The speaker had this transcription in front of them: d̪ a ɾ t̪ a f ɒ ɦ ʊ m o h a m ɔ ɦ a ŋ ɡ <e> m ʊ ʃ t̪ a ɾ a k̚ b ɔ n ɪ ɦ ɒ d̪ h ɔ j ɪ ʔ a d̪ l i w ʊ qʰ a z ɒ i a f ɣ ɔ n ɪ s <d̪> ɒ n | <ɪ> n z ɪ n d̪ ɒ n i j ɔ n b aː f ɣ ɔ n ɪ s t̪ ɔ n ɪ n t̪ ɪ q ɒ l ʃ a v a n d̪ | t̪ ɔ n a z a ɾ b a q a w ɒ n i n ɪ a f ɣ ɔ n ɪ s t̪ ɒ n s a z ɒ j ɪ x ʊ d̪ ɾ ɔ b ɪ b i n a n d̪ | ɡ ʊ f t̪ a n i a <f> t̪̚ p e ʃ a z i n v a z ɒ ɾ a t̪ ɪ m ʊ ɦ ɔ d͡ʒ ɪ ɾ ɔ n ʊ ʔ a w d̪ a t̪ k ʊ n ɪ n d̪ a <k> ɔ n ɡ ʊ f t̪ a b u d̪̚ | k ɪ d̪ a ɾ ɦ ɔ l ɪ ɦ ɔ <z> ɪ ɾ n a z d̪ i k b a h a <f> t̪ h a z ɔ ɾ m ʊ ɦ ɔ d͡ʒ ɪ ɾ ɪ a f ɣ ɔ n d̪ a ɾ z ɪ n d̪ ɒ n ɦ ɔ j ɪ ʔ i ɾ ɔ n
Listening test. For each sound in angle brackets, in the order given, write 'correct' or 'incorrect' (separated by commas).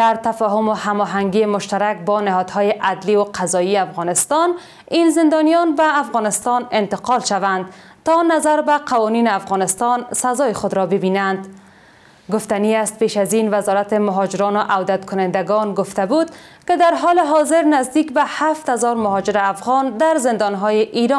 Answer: incorrect, incorrect, incorrect, incorrect, incorrect, correct, correct